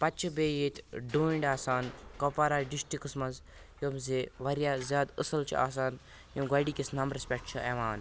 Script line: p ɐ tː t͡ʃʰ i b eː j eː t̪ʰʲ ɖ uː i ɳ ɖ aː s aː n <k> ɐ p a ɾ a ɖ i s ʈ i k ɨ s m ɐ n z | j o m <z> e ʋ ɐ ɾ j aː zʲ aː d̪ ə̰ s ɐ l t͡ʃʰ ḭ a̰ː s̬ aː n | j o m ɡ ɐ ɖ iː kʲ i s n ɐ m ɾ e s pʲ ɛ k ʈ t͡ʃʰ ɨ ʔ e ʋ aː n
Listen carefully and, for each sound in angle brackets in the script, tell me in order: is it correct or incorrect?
correct, correct

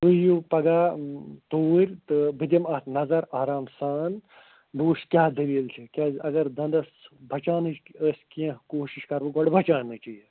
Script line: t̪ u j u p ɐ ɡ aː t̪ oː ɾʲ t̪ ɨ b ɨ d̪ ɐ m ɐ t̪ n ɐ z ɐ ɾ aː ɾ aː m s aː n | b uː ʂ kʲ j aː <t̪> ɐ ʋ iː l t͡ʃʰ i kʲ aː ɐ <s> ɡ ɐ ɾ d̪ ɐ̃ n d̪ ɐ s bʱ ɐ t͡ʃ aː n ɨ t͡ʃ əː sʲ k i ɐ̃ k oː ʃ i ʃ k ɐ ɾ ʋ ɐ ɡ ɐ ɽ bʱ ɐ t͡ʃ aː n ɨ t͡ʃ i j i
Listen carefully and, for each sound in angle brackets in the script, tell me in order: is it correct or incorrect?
incorrect, incorrect

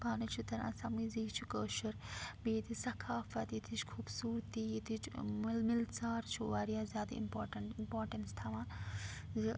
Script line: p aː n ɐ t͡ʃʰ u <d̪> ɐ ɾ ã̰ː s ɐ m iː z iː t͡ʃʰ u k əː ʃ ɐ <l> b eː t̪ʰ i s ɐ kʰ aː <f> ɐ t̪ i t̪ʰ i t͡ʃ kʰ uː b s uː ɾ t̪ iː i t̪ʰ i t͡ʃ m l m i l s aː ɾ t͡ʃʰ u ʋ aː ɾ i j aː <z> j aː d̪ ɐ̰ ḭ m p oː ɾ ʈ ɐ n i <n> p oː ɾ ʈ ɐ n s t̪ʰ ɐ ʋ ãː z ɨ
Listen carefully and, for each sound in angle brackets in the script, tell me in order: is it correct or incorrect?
incorrect, incorrect, correct, correct, incorrect

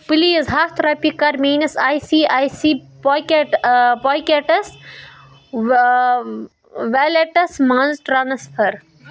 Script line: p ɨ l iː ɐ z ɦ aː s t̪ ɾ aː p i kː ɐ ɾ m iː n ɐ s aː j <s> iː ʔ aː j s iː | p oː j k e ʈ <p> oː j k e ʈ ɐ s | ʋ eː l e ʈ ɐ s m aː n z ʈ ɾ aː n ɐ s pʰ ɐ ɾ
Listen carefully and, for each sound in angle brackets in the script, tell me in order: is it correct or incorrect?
correct, correct

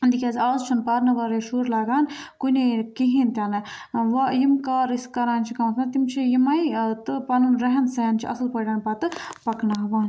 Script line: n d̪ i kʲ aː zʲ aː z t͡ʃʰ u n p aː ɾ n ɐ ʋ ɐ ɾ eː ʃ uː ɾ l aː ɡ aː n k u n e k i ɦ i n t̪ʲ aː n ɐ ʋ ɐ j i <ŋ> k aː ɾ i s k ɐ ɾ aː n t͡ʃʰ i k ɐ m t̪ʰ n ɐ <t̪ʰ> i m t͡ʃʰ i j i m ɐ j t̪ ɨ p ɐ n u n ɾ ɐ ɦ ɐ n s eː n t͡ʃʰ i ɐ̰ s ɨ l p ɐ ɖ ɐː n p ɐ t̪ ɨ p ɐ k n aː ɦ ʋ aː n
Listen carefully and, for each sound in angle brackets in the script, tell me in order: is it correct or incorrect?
incorrect, incorrect

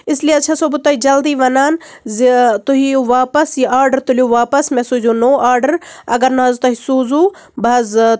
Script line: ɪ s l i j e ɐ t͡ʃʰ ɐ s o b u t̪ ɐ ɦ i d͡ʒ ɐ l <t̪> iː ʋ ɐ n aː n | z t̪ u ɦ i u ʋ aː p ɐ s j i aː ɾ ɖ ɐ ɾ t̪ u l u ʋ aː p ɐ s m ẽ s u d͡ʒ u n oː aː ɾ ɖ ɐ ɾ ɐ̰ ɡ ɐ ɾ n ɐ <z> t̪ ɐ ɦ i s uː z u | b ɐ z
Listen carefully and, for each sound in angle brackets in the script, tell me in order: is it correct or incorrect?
incorrect, correct

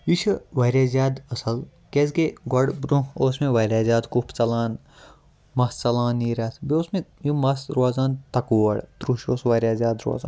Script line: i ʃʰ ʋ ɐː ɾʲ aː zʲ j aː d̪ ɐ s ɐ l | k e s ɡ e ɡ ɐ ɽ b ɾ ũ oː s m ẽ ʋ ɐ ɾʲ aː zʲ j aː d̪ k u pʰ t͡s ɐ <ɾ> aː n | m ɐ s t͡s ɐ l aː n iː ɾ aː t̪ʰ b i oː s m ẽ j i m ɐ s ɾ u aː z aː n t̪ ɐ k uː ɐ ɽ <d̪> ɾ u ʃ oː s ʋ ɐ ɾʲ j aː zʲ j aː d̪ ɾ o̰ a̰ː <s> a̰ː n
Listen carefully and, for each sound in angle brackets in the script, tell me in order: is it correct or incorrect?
incorrect, incorrect, incorrect

